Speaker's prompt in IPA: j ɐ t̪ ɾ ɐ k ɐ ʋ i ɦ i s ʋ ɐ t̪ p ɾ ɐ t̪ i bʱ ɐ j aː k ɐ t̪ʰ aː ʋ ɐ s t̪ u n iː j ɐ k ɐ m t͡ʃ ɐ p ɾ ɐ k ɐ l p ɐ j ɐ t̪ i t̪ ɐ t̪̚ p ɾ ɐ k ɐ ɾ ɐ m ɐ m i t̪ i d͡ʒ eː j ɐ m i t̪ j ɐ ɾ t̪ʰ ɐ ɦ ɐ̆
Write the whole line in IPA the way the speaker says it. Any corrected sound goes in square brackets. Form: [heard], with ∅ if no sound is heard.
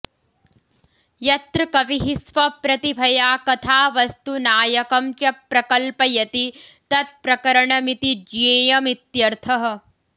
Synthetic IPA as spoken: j ɐ t̪ ɾ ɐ k ɐ ʋ i ɦ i s ʋ ɐ [∅] p ɾ ɐ t̪ i bʱ ɐ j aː k ɐ t̪ʰ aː ʋ ɐ s t̪ u n [aː] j ɐ k ɐ m t͡ʃ ɐ p ɾ ɐ k ɐ l p ɐ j ɐ t̪ i t̪ ɐ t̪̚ p ɾ ɐ k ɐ ɾ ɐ [ɳ] ɐ m i t̪ i d͡ʒ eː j ɐ m i t̪ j ɐ ɾ t̪ʰ ɐ ɦ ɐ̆